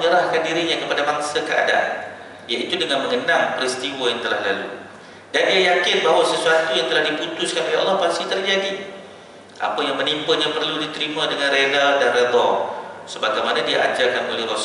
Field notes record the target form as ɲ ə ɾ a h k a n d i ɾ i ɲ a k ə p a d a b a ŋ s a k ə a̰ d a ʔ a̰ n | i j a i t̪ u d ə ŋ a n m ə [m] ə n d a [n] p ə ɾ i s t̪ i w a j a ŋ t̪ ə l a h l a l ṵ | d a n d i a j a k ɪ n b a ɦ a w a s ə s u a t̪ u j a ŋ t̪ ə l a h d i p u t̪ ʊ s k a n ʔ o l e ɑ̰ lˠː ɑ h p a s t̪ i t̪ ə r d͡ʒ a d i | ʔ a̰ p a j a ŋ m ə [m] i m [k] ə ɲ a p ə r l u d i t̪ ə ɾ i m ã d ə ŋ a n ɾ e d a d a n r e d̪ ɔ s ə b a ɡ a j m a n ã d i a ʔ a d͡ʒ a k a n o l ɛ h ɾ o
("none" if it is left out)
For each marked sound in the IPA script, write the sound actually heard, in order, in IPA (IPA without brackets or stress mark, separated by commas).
ŋ, ŋ, n, p